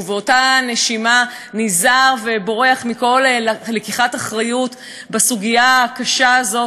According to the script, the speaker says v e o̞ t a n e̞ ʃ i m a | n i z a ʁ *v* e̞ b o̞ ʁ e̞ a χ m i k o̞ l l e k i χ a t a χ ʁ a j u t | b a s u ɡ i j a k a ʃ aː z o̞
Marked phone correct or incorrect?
correct